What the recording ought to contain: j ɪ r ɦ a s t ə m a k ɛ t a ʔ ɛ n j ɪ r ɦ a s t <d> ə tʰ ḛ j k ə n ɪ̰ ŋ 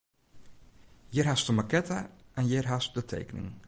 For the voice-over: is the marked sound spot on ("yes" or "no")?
yes